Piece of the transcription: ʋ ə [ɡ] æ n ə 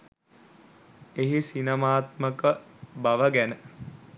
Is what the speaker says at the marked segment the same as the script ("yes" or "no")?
yes